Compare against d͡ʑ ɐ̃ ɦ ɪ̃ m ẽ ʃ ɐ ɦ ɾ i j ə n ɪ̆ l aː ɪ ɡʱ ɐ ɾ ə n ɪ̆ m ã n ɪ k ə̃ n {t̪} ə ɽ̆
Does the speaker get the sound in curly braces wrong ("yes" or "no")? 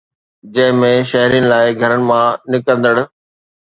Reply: yes